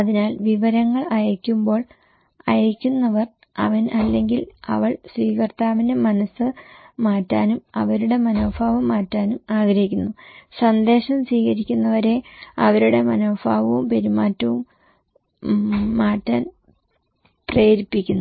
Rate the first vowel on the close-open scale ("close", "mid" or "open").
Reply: open